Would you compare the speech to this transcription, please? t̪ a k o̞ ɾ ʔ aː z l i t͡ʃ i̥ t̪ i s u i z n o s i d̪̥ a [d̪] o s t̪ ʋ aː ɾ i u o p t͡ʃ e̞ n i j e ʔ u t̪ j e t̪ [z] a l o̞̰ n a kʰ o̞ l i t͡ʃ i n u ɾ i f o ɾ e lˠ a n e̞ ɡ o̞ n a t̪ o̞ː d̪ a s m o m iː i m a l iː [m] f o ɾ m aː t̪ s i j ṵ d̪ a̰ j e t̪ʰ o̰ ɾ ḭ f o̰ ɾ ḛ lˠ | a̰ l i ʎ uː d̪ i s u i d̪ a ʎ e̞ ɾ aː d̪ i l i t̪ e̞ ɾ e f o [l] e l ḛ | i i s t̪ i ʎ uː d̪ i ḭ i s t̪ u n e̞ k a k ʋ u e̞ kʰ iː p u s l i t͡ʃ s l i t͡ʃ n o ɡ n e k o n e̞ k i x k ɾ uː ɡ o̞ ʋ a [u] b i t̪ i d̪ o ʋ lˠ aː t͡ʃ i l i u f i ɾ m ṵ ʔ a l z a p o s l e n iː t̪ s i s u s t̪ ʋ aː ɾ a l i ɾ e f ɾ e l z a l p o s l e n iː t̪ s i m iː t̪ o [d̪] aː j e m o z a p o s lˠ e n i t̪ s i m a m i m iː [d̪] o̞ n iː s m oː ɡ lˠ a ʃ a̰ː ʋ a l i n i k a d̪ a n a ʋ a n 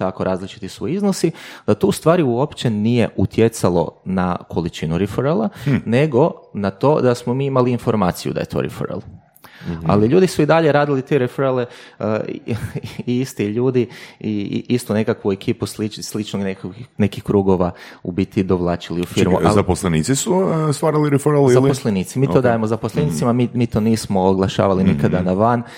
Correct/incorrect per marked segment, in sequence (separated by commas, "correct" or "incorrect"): incorrect, incorrect, incorrect, incorrect, correct, correct, incorrect